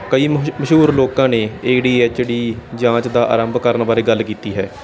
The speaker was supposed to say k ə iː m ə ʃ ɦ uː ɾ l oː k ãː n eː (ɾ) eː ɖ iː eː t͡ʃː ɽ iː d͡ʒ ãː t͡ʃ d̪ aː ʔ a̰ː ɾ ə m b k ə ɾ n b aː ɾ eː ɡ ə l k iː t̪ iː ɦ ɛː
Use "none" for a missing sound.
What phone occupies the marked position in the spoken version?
none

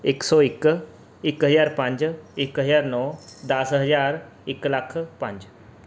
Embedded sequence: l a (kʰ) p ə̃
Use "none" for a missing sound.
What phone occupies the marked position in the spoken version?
kʰ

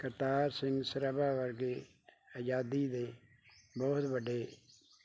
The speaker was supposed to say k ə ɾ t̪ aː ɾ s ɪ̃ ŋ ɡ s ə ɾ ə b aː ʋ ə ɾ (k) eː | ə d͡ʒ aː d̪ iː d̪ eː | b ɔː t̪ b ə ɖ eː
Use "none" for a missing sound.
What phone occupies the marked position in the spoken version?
ɡ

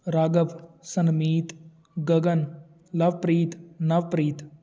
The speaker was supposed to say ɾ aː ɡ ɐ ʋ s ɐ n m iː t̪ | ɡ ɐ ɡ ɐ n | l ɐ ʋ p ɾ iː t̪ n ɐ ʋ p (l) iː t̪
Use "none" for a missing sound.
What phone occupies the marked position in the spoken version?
ɾ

